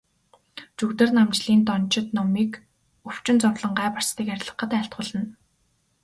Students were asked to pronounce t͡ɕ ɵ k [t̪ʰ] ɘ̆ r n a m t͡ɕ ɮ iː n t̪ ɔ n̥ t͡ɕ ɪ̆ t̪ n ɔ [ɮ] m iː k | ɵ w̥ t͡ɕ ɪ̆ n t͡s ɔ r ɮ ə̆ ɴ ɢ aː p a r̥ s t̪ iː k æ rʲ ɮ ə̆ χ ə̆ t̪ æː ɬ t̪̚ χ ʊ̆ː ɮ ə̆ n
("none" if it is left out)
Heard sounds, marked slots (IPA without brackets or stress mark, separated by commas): t̪, none